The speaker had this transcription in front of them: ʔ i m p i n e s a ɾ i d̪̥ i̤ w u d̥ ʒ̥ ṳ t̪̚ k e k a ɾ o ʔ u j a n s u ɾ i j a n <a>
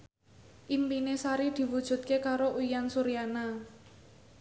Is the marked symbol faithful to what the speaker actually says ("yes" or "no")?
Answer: yes